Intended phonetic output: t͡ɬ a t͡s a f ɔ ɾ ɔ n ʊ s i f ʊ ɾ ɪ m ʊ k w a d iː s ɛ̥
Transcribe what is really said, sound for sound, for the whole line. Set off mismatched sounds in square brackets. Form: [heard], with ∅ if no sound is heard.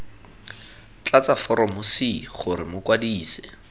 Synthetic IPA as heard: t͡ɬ a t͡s a f ɔ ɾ ɔ [m] ʊ s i [χ] ʊ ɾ ɪ m ʊ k w a d iː s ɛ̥